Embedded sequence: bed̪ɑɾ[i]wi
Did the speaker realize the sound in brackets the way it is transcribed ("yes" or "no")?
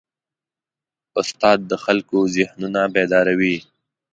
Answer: no